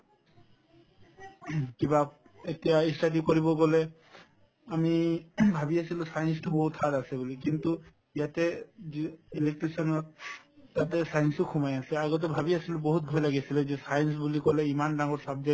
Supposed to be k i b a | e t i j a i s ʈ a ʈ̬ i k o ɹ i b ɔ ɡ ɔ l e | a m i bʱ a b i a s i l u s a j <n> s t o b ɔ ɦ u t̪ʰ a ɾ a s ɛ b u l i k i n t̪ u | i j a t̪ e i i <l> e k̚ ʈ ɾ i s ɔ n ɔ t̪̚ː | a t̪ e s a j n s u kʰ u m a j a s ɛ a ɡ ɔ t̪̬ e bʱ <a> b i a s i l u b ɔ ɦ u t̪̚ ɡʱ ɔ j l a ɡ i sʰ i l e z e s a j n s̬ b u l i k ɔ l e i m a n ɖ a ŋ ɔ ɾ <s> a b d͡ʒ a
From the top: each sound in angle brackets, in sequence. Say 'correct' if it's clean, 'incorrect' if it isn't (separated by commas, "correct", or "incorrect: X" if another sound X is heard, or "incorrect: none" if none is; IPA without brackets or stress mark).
correct, correct, correct, correct